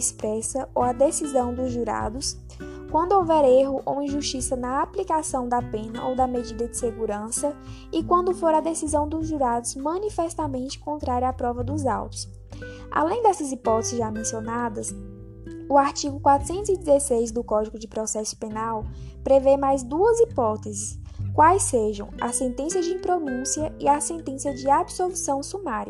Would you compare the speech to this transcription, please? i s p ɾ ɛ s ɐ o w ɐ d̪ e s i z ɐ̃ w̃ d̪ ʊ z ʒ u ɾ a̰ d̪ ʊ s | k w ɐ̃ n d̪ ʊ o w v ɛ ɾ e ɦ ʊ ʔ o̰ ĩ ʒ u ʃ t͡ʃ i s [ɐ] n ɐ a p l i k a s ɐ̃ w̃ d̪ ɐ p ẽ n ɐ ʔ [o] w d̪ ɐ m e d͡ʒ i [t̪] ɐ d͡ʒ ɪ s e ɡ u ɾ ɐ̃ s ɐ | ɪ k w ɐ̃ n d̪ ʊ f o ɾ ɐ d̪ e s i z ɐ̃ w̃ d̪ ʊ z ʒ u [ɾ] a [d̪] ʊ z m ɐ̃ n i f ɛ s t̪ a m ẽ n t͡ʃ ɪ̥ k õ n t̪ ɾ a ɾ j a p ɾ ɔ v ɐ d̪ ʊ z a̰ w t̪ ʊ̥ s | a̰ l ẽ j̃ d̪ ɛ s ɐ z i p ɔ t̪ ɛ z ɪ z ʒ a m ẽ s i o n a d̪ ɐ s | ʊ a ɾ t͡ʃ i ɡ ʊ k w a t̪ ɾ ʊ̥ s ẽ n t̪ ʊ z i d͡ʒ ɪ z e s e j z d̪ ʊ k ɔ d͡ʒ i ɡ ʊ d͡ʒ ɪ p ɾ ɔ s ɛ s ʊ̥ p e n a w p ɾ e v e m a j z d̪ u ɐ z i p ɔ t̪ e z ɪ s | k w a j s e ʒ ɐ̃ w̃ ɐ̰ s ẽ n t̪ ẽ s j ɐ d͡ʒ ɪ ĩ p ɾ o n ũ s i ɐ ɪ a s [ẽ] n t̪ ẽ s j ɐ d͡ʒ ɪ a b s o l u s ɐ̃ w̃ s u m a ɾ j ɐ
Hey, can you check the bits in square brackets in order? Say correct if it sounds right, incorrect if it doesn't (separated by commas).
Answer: correct, correct, incorrect, correct, correct, correct